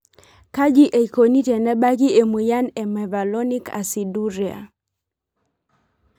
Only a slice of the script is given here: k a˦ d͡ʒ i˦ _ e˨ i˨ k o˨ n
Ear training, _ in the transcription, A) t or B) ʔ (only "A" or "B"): B